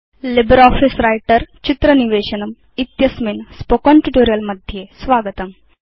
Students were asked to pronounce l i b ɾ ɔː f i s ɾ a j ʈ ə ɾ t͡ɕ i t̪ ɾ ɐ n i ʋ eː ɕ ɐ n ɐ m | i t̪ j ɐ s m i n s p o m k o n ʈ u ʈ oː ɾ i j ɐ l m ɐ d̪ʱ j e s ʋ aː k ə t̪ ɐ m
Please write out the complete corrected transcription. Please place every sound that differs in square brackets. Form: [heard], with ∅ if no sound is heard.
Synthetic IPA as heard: l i b ɾ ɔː f i s ɾ a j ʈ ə ɾ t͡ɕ i t̪ ɾ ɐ n i ʋ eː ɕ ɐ n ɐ m | i t̪ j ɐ s m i n s p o [∅] k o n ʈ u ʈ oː ɾ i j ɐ l m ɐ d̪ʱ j e s ʋ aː [ɡ] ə t̪ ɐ m